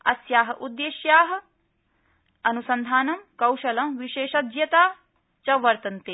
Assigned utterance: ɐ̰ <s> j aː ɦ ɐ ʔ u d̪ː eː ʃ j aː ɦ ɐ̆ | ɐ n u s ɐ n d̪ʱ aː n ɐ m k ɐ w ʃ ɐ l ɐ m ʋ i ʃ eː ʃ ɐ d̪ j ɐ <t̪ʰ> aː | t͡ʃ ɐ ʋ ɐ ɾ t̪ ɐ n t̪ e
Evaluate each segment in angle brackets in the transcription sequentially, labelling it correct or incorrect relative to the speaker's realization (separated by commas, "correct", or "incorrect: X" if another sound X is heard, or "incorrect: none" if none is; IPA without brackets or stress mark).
correct, incorrect: t̪